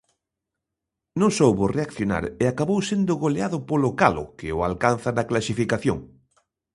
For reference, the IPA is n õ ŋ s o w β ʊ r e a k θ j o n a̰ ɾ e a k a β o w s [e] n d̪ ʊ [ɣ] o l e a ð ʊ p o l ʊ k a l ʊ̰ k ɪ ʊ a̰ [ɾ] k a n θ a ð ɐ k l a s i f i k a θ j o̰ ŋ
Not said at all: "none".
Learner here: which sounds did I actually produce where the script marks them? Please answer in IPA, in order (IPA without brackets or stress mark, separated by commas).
e, ɣ, l